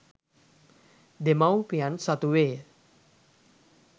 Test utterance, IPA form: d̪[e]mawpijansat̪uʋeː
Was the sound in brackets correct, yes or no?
yes